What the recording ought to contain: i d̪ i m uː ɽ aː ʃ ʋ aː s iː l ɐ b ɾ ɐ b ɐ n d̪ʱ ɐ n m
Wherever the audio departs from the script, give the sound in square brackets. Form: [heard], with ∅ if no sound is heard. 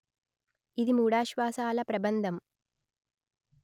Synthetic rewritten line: i d̪ i m uː ɽ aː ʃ ʋ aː s [aː] l ɐ [p] ɾ ɐ b ɐ n d̪ʱ ɐ [∅] m

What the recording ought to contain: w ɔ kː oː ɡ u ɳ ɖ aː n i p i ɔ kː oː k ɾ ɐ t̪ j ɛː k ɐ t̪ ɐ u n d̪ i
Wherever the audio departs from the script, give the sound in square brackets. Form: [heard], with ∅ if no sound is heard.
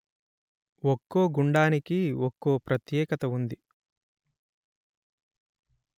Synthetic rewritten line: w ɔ kː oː ɡ u ɳ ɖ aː n i [k] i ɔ kː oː [p] ɾ ɐ t̪ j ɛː k ɐ t̪ ɐ u n d̪ i

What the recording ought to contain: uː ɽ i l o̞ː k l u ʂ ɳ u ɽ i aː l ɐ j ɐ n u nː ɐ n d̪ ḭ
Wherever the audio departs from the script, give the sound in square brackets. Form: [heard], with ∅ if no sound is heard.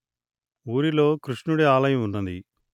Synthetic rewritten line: uː [ɾ] i l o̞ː k [ɾ] u ʂ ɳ u ɽ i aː l ɐ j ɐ [m] u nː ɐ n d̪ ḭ

